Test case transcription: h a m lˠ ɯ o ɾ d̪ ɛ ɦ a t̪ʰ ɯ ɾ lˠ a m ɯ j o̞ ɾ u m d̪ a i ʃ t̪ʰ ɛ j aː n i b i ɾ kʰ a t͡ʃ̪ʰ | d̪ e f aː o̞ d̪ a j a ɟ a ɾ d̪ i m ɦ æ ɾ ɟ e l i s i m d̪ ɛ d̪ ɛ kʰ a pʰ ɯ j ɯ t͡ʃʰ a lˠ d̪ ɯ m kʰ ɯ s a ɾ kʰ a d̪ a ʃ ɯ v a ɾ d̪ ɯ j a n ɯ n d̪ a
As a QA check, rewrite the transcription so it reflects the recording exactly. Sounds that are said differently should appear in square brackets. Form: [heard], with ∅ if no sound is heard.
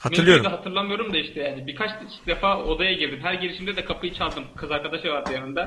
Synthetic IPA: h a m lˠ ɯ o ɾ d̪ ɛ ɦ a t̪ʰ ɯ ɾ lˠ a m ɯ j o̞ ɾ u m d̪ a i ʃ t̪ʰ ɛ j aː n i b i ɾ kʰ a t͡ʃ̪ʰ | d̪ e f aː o̞ d̪ a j a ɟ [i] ɾ d̪ i m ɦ æ ɾ ɟ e l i [ʃ] i m d̪ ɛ d̪ ɛ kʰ a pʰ ɯ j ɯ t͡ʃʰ a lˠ d̪ ɯ m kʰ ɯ [z] a ɾ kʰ a d̪ a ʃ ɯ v a ɾ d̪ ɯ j a n ɯ n d̪ a